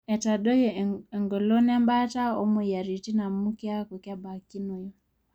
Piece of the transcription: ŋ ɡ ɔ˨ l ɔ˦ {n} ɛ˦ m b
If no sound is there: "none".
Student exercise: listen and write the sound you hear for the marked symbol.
n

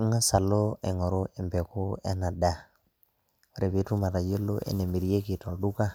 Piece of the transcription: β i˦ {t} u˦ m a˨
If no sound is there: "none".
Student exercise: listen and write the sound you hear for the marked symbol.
t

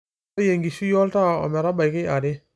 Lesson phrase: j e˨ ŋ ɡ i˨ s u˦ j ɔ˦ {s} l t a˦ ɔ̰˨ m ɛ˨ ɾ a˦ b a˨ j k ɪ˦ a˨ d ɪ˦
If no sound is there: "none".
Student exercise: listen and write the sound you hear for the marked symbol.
none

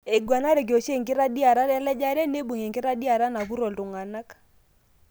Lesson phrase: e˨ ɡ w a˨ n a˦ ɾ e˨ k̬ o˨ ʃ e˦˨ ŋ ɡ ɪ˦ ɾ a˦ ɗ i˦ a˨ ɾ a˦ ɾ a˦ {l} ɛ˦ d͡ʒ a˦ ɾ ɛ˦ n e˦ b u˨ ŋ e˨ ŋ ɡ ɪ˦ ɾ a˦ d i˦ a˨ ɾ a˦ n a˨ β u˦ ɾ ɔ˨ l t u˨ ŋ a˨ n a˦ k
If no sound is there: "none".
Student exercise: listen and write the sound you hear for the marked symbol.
l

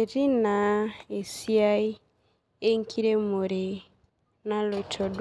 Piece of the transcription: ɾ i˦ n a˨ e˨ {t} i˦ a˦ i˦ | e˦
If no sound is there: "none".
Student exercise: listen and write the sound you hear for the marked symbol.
s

